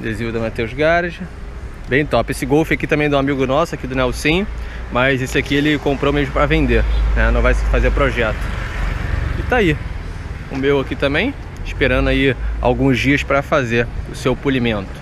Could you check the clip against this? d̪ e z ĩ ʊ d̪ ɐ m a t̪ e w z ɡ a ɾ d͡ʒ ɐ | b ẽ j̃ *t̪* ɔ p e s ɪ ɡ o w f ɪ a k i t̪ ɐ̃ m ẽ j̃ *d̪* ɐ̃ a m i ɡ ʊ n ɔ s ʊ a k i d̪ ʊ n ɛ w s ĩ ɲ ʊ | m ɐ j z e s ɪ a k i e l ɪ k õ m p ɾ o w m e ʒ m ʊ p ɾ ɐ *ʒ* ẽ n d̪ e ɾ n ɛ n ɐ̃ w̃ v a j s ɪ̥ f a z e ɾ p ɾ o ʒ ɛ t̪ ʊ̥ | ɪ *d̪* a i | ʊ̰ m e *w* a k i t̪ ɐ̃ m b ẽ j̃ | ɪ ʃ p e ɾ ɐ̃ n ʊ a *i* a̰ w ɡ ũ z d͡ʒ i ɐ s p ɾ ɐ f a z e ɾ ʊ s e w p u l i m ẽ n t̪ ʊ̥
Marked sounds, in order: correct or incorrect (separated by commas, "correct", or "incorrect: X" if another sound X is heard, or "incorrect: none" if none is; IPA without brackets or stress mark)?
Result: correct, correct, incorrect: v, incorrect: t̪, correct, correct